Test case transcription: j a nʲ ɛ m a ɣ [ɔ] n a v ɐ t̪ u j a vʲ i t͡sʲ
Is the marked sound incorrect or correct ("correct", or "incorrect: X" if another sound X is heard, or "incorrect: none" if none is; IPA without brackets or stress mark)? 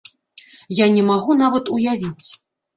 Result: incorrect: u